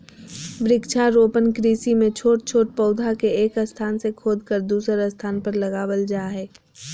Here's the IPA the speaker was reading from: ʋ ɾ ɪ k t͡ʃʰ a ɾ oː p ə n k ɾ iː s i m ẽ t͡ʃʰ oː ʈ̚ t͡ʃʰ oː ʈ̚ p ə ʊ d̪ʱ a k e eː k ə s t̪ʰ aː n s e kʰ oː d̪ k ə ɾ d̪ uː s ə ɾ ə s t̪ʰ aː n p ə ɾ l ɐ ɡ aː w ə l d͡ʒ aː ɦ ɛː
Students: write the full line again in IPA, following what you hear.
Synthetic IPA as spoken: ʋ ɾ ɪ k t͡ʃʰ a ɾ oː p ə n k ɾ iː s i m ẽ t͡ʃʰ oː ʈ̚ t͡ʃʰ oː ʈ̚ p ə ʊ d̪ʱ a k e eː k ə s t̪ʰ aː n s e kʰ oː d̪ k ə ɾ d̪ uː s ə ɾ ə s t̪ʰ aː n p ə ɾ l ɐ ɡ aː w ə l d͡ʒ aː ɦ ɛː